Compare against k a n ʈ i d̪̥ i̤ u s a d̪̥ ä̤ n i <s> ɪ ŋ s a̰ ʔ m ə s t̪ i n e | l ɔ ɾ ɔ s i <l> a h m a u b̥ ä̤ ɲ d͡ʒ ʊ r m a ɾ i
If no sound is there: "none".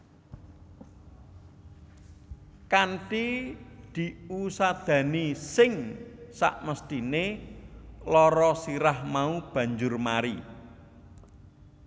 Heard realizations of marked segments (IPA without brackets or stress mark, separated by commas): s, ɾ